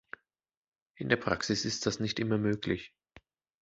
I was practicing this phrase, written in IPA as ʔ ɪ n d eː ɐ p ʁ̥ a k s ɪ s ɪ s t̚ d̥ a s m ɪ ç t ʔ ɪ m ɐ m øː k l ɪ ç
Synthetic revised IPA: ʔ ɪ n d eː ɐ p ʁ̥ a k s ɪ s ɪ s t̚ d̥ a s n ɪ ç t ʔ ɪ m ɐ m øː k l ɪ ç